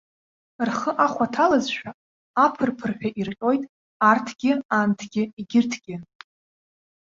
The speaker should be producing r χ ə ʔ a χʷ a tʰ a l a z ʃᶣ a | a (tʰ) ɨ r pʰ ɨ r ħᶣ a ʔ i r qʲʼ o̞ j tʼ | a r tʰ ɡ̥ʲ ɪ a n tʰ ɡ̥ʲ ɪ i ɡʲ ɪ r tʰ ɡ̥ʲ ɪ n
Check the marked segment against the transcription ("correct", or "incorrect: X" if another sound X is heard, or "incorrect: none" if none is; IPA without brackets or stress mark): incorrect: pʰ